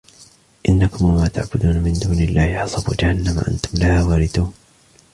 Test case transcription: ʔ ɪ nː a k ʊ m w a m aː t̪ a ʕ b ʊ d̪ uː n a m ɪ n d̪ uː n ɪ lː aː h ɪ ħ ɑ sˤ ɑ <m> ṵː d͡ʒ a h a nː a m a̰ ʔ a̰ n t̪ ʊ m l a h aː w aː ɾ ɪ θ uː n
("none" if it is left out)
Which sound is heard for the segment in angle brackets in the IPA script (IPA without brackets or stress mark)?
b